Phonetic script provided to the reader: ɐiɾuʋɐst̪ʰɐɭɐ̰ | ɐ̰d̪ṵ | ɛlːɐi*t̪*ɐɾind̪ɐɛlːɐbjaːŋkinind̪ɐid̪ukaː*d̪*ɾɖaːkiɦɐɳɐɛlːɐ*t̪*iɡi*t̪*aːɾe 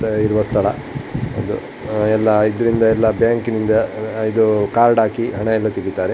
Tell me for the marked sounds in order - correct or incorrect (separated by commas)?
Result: incorrect, incorrect, correct, correct